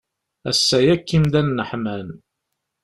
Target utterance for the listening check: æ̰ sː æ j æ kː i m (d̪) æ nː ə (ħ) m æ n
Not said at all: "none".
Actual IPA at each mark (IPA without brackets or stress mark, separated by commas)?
d̪, ħ